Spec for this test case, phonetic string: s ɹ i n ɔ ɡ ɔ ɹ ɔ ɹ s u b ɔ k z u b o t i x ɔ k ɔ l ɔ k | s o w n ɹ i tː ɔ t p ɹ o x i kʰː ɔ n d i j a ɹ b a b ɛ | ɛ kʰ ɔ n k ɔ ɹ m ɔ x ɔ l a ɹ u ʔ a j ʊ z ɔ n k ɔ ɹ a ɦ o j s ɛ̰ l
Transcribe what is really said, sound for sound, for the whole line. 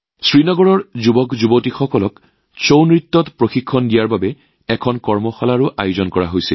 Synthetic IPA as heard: s ɹ i n ɔ ɡ ɔ ɹ ɔ ɹ z u b ɔ k z u b o t i x ɔ k ɔ l ɔ k | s o w n ɹ i tː ɔ t p ɹ o x i kʰː ɔ n d i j a ɹ b a b ɛ | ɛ kʰ ɔ n k ɔ ɹ m ɔ x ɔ l a ɹ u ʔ a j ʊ z ɔ n k ɔ ɹ a ɦ o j s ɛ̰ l